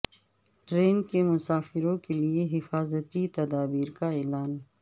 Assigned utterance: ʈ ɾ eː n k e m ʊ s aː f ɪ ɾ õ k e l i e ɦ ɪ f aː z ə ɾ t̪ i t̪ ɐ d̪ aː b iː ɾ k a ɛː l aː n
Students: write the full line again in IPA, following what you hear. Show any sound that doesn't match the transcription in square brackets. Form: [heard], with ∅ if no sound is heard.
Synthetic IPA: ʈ ɾ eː n k e m ʊ s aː f ɪ ɾ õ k e l i e ɦ ɪ f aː z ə [∅] t̪ i t̪ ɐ d̪ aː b iː ɾ k a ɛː l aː n